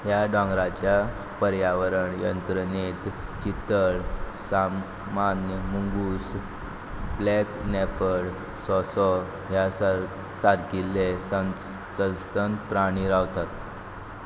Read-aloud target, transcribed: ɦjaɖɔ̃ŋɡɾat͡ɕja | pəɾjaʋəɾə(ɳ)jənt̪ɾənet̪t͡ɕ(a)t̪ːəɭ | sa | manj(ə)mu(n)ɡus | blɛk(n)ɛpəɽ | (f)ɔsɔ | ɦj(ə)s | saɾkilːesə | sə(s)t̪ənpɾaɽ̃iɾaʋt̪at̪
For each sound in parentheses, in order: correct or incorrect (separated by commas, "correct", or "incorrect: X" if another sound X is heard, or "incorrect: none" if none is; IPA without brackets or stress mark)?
correct, incorrect: i, correct, incorrect: ŋ, correct, incorrect: s, incorrect: a, correct